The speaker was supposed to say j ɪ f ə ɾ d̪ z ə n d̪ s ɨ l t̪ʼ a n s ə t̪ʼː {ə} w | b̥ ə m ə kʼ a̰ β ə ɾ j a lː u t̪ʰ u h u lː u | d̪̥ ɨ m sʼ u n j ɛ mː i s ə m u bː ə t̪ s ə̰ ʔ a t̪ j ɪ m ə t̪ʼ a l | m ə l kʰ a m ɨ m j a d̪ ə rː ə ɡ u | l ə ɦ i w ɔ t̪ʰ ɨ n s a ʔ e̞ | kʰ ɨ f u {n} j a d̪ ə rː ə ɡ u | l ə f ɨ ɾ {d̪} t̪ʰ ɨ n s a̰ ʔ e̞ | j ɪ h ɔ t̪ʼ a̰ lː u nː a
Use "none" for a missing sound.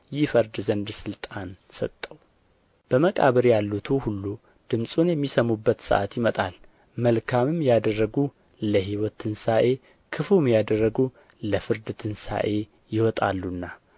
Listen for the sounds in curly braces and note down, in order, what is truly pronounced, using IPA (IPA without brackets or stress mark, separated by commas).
ə, m, d̪